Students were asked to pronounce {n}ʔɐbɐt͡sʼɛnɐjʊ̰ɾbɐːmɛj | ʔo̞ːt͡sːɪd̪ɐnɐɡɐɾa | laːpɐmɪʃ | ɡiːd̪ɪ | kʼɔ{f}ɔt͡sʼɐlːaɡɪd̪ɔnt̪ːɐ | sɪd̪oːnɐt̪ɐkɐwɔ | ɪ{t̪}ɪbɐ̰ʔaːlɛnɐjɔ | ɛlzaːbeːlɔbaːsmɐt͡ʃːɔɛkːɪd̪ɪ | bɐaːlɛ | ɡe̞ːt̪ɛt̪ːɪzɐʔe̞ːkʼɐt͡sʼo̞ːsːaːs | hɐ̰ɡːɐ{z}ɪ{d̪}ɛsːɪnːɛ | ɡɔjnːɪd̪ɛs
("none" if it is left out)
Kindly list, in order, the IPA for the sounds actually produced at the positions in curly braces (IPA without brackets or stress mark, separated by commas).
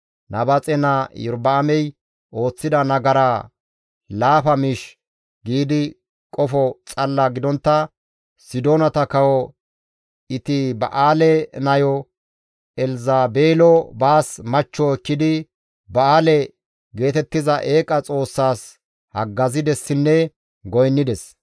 n, f, t̪, z, d̪